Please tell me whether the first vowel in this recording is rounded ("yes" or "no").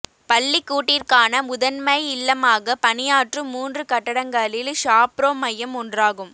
no